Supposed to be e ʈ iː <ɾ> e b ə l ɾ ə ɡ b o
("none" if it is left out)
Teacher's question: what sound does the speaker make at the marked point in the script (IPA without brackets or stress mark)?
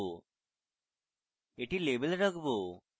l